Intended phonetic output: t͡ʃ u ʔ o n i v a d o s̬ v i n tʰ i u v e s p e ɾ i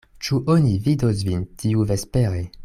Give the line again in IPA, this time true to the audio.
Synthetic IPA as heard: t͡ʃ u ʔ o n i v i d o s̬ v i n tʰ i u v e s p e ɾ e

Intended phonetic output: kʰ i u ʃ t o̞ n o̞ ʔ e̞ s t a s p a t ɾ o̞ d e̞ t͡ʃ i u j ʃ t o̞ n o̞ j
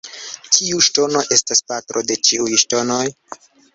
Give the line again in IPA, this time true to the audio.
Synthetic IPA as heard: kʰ i u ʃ t o̞ n o̞ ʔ e̞ s t a s p a t ɾ o̞ d e̞ t͡ʃ i u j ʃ t o̞ n o̞ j

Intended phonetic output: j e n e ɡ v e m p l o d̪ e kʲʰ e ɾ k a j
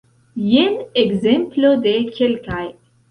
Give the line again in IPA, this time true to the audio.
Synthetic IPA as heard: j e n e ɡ z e m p l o d̪ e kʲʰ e l k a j

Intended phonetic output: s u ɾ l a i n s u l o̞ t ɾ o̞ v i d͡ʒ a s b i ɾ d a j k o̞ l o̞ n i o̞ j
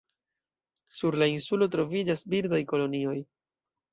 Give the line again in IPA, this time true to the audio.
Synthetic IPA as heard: s u ɾ l a i n s u l o̞ t ɾ o̞ v i d͡ʒ a s b i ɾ d a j k o̞ l o̞ n i o̞ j

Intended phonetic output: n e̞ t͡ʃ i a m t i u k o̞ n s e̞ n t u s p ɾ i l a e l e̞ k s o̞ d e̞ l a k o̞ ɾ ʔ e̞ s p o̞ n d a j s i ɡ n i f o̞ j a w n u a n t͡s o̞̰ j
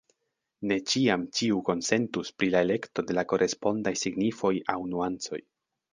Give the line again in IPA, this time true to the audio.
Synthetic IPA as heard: n e̞ t͡ʃ i a m t͡ʃ i u k o̞ n s e̞ n t u s p ɾ i l a e l e̞ k t o̞ d e̞ l a k o̞ ɾ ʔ e̞ s p o̞ n d a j s i ɡ n i f o̞ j a w n u a n t͡s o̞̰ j

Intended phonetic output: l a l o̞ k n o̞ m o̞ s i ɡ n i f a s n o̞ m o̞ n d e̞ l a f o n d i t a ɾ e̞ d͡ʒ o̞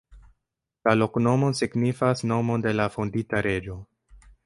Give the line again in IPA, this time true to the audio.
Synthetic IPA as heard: l a l o̞ k n o̞ m o̞ s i ɡ n i f a s n o̞ m o̞ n d e̞ l a f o n d i t a ɾ e̞ d͡ʒ o̞

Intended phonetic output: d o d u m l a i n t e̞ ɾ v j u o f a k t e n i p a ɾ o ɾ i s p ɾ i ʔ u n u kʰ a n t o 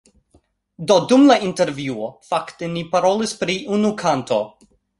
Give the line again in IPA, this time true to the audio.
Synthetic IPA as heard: d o d u m l a i n t e̞ ɾ v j u o f a k t e n i p a ɾ o l i s p ɾ i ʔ u n u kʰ a n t o

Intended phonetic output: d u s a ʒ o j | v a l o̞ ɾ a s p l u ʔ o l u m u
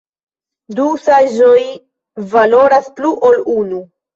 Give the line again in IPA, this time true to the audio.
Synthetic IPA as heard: d u s a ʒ o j | v a l o̞ ɾ a s p l u ʔ o l u n u

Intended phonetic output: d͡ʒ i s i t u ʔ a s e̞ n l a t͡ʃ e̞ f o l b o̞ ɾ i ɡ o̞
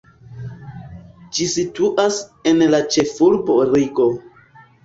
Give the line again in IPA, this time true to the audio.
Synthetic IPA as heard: d͡ʒ i s i t u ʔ a s e̞ n l a t͡ʃ e̞ f u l b o̞ ɾ i ɡ o̞

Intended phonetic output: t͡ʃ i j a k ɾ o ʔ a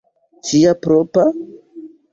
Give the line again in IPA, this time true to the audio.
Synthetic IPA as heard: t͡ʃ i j a p ɾ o p a

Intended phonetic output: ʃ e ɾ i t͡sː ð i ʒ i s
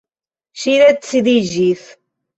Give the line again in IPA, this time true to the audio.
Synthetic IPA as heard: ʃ i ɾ æ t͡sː ð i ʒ i θ

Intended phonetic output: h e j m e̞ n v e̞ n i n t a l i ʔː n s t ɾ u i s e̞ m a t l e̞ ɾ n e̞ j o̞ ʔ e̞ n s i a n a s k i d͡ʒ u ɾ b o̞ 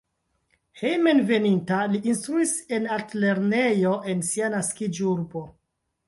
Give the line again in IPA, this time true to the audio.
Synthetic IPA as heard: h e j m e̞ n v e̞ n i n t a l i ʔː n s t ɾ u i s e̞ n a t l e̞ ɾ n e̞ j o̞ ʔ e̞ n s i a n a s k i d͡ʒ u ɾ b o̞

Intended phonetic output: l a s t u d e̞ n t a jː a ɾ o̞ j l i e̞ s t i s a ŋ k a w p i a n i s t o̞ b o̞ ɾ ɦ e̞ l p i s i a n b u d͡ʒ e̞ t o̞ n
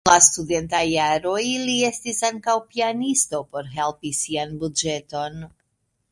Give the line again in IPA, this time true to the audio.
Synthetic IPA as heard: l a s t u d e̞ n t a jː a ɾ o̞ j l i e̞ s t i s a ŋ k a w p i a n i s t o̞ p o̞ ɾ ɦ e̞ l p i s i a n b u d͡ʒ e̞ t o̞ n

